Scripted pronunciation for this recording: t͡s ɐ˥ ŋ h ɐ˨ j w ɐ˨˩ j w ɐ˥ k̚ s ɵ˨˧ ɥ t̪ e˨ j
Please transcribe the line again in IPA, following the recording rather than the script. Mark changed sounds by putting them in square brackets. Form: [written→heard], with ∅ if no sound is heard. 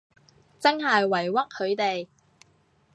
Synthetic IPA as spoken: t͡s ɐ˥ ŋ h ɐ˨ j w ɐ˨˩ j w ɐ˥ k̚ [s→h] ɵ˨˧ ɥ t̪ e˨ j